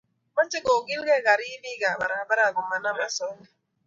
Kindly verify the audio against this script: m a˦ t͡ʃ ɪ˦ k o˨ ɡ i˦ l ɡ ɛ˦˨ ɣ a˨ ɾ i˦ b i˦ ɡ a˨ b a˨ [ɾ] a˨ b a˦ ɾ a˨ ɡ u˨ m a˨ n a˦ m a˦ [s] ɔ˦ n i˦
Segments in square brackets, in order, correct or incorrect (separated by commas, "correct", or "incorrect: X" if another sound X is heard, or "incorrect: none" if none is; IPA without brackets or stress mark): correct, correct